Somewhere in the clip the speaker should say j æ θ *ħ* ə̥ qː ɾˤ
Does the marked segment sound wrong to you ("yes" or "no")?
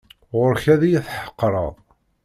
no